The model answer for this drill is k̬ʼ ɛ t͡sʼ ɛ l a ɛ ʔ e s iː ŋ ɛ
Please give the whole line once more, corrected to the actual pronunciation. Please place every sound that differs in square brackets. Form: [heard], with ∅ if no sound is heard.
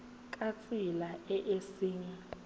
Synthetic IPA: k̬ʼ [a] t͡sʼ [i] l a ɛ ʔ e s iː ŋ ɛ